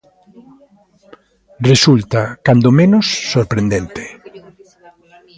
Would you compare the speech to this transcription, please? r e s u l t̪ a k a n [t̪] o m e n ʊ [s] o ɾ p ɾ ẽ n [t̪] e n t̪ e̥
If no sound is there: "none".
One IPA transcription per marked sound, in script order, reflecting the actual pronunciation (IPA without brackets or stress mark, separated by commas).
d̪, sː, d̪